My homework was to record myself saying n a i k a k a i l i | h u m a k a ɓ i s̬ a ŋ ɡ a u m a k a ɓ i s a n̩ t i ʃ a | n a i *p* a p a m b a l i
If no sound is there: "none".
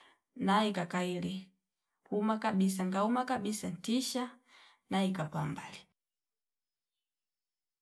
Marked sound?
k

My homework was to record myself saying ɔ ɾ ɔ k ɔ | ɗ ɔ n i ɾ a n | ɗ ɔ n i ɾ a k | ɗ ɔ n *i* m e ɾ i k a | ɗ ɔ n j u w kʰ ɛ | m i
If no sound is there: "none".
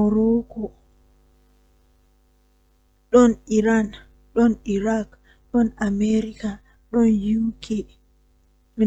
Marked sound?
a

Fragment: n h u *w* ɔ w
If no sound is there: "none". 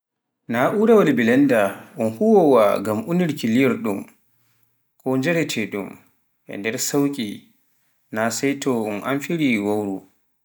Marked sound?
w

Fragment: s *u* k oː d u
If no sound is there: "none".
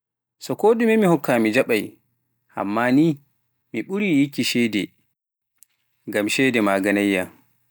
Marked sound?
ɔ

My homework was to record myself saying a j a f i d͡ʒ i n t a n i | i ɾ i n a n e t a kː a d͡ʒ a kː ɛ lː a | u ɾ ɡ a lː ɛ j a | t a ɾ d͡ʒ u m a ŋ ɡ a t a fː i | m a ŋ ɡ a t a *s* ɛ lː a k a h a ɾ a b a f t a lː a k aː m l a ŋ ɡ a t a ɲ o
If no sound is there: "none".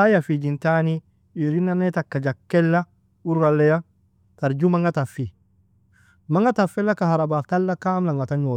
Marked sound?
f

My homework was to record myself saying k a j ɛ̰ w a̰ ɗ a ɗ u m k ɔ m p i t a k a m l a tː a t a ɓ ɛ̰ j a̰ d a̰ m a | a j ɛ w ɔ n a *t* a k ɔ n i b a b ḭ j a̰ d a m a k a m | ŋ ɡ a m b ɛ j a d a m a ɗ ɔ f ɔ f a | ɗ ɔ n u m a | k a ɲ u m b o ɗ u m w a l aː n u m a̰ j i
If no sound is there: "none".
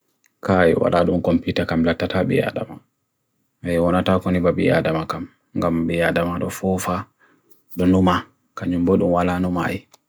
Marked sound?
t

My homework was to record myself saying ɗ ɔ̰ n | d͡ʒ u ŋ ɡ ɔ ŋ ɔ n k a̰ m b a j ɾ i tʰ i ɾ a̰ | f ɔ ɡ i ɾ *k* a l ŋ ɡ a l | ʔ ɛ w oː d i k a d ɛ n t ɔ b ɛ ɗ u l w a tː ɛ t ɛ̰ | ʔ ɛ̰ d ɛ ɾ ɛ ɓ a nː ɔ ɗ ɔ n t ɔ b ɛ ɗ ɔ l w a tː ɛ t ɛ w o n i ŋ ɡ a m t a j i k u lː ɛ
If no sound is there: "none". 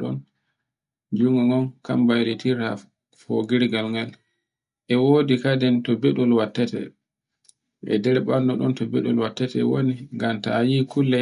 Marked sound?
ɡ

